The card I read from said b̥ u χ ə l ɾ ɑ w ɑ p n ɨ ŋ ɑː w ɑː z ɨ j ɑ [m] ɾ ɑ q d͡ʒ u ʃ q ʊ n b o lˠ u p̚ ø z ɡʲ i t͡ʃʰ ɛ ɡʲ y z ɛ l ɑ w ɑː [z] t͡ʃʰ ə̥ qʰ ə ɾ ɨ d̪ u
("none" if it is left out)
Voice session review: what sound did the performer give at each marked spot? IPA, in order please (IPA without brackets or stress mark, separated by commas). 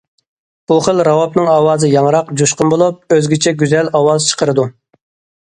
ŋ, z